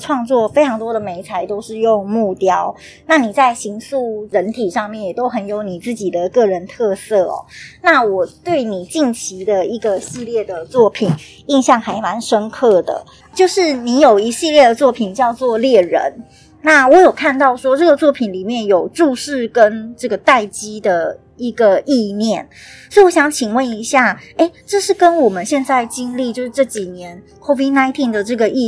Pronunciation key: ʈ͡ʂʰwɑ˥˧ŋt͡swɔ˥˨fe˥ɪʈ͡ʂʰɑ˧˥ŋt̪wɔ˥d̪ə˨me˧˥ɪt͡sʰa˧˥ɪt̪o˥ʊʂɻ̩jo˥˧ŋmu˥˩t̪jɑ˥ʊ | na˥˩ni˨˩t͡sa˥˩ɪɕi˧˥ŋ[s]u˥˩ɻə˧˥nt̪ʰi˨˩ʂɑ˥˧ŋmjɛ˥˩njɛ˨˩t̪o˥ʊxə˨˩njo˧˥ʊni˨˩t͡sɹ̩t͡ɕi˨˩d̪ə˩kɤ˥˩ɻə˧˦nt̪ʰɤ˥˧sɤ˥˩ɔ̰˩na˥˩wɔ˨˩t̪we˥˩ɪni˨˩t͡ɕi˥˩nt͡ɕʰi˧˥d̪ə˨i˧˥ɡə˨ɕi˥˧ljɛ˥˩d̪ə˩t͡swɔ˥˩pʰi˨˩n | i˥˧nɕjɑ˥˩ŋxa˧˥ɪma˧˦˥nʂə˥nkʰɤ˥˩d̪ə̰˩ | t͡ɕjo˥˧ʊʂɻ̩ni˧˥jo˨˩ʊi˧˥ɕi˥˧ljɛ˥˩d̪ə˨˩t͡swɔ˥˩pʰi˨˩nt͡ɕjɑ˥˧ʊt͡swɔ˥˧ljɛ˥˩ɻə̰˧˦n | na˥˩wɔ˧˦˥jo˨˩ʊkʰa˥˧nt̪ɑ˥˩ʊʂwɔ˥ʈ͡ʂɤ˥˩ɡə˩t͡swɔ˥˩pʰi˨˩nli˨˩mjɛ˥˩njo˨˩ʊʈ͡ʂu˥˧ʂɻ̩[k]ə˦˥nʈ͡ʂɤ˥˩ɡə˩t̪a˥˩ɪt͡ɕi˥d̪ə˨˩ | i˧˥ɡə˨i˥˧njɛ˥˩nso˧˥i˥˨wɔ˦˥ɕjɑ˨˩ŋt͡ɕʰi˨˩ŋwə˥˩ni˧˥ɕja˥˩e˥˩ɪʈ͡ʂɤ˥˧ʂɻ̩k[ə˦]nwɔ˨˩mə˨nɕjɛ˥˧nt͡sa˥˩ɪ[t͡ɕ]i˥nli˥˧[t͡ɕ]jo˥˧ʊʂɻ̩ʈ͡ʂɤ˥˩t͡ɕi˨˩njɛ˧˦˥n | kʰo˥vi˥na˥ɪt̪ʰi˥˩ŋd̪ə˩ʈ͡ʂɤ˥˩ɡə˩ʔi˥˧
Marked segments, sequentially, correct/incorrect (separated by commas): correct, correct, correct, correct, correct